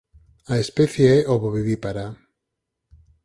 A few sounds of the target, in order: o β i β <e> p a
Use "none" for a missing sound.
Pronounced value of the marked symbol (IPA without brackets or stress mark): i